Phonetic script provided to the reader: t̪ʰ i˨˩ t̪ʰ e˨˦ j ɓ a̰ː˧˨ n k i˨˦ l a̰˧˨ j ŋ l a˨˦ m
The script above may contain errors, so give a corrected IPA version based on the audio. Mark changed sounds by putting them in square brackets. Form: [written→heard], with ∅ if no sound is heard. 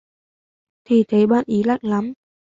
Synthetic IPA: t̪ʰ i˨˩ t̪ʰ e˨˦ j ɓ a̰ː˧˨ n [k→ʔ] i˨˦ l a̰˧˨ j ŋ l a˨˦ m